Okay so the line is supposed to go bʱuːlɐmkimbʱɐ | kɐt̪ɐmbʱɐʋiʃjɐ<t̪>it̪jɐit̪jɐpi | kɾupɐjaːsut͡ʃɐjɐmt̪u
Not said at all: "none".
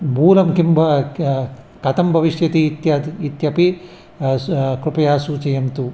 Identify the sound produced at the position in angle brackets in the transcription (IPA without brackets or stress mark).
t̪